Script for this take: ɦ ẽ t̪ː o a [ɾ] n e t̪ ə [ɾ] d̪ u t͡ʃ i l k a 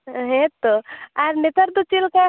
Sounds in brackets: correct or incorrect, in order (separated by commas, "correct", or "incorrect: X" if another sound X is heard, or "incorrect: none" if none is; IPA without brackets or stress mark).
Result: correct, correct